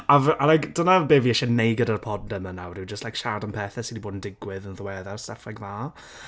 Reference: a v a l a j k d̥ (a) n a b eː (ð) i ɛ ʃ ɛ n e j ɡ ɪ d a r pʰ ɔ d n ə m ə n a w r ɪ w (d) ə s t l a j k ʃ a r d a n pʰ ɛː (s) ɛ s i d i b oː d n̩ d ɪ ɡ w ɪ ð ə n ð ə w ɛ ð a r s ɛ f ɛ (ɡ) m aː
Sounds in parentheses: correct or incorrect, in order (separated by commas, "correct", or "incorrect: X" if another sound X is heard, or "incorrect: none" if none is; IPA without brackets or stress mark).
incorrect: ə, incorrect: v, incorrect: d͡ʒ, incorrect: θ, correct